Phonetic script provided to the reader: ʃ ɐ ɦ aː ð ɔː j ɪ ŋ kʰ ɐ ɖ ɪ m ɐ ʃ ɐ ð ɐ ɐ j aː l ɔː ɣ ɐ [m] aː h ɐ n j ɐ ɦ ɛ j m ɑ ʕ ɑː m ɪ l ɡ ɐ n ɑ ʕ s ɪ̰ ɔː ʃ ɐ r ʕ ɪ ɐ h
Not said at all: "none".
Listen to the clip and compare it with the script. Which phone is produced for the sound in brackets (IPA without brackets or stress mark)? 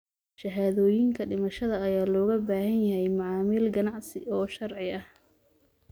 b